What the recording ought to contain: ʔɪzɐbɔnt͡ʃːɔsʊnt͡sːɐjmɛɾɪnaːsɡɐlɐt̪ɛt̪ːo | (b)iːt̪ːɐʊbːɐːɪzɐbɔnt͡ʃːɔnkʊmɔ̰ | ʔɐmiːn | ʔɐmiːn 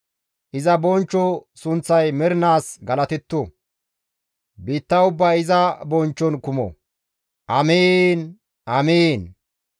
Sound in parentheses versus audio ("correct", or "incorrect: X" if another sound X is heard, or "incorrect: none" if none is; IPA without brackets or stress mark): correct